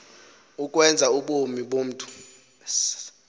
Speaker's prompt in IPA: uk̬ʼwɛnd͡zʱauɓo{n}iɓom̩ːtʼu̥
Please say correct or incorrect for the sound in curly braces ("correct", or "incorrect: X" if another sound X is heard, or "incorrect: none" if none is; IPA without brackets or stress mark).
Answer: incorrect: m